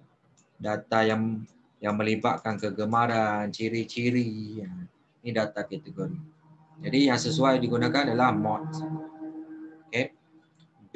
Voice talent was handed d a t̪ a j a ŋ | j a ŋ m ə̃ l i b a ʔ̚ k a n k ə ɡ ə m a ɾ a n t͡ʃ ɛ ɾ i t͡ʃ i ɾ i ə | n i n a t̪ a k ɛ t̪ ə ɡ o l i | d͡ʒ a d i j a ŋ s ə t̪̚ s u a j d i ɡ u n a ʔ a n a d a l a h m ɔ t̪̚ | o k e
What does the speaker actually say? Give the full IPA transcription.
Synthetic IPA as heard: d a t̪ a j a ŋ | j a ŋ m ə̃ l i b a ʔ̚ k a n k ə ɡ ə m a ɾ a n t͡ʃ i ɾ i t͡ʃ i ɾ i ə | n i d a t̪ a k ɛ t̪ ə ɡ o ɾ i | d͡ʒ a d i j a ŋ s ə s u a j d i ɡ u n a k a n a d a l a h m ɔ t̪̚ | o k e